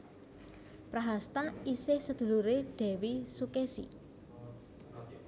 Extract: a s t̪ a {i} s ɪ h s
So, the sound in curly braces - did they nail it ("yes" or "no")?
yes